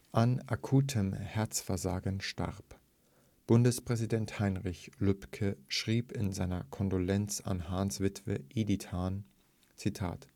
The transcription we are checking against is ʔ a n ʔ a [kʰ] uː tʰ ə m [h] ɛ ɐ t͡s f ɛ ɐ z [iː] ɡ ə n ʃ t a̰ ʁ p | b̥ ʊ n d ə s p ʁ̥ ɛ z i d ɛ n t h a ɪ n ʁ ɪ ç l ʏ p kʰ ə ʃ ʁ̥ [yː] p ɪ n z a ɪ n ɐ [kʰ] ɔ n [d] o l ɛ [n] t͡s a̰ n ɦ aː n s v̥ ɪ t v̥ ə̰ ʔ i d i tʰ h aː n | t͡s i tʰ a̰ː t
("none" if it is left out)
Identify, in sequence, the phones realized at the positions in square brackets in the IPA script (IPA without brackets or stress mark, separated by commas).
kʰ, h, aː, iː, kʰ, d, n